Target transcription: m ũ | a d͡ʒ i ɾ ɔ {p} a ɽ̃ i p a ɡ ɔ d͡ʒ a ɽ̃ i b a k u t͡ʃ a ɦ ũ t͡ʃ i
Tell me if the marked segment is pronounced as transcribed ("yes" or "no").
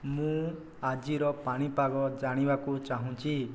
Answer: yes